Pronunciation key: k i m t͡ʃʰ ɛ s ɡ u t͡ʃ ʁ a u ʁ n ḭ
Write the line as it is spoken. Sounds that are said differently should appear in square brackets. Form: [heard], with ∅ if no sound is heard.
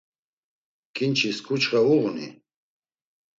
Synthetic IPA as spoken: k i [n] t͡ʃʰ [i] s [k] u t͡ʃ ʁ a u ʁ n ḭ